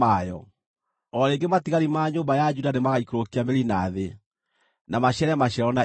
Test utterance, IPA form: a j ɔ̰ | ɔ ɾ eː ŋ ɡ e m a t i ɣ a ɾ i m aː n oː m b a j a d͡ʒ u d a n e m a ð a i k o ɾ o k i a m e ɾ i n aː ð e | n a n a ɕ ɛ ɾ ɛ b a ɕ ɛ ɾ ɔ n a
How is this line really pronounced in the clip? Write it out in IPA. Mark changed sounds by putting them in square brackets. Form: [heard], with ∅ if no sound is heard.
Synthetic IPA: a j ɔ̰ | ɔ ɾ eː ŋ ɡ e m a t i ɣ a ɾ i m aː [ɲ] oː m b a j a d͡ʒ u d a n e m a [ɣ] a i k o ɾ o k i a m e ɾ i n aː ð e | n a [m] a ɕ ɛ ɾ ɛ [m] a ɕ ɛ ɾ ɔ n a